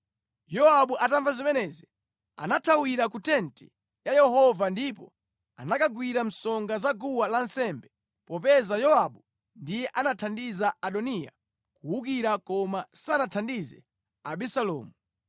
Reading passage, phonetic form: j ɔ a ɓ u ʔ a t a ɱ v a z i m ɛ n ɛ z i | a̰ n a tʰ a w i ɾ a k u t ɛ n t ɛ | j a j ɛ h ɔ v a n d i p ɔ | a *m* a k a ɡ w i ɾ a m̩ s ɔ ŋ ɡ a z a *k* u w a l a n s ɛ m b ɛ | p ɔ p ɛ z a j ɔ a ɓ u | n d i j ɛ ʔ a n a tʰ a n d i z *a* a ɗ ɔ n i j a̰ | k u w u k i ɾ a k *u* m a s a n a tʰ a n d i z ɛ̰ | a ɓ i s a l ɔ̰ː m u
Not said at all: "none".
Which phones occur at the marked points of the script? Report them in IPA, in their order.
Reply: n, ɡ, a, ɔ

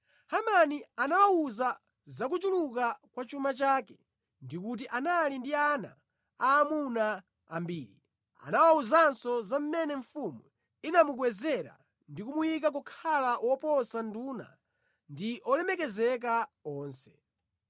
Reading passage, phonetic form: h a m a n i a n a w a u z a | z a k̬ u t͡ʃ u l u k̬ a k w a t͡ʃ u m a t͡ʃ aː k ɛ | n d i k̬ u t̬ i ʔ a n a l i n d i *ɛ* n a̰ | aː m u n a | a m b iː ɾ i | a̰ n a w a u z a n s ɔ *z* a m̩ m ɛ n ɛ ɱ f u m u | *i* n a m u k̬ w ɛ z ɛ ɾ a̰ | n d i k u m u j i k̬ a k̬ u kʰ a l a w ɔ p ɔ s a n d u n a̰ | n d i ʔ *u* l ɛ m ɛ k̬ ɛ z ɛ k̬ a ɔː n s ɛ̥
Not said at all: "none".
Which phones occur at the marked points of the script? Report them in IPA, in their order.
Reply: a, z, i, ɔ

